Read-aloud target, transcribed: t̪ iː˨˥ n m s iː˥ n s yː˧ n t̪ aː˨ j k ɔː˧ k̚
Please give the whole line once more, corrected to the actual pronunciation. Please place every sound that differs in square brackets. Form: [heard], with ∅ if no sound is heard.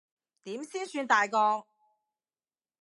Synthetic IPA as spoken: t̪ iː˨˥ [∅] m s iː˥ n s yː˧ n t̪ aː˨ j k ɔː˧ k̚